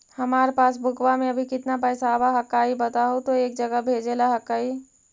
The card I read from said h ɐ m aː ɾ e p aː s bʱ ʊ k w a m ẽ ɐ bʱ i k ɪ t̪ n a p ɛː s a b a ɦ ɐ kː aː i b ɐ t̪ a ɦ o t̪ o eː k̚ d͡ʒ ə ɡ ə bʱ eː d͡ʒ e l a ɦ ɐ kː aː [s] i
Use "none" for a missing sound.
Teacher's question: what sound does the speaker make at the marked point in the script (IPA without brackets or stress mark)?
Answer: none